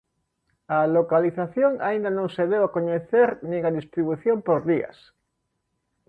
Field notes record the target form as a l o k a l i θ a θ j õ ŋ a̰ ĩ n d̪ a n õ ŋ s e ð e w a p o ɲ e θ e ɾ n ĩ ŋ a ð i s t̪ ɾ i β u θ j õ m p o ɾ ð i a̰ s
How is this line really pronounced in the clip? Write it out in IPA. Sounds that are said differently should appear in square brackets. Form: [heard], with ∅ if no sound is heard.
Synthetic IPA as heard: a l o k a l i θ a θ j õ ŋ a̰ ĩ n d̪ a n õ ŋ s e ð e w a [k] o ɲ e θ e ɾ n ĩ ŋ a ð i s t̪ ɾ i β u θ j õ m p o ɾ ð i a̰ s